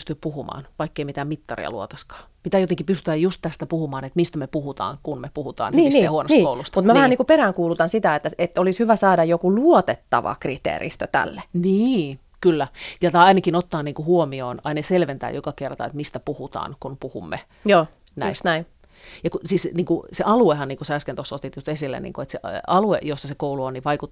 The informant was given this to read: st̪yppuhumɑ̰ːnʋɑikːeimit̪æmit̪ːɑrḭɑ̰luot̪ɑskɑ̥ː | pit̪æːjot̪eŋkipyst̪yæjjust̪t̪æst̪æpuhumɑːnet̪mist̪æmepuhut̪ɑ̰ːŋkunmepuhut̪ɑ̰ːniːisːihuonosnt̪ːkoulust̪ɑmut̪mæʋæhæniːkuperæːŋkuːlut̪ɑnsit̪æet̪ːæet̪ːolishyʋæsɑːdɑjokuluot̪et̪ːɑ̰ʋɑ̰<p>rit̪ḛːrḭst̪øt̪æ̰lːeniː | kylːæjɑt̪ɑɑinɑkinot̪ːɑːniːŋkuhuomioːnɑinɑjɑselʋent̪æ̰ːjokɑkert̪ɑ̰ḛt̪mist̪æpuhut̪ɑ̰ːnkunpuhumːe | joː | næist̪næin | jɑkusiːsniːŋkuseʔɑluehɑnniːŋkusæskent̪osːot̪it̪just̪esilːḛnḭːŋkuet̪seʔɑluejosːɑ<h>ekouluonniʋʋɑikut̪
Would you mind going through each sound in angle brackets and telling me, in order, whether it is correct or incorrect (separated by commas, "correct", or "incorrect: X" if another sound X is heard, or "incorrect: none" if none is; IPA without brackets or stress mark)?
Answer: incorrect: k, incorrect: s